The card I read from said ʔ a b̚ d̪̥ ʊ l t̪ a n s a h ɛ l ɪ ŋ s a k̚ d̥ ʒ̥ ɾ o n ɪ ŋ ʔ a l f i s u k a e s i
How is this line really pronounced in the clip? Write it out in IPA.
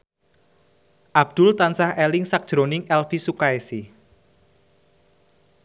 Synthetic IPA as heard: ʔ a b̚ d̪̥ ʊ l t̪ a n s a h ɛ l ɪ ŋ s a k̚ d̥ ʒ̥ ɾ o n ɪ ŋ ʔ ɛ l f i s u k a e s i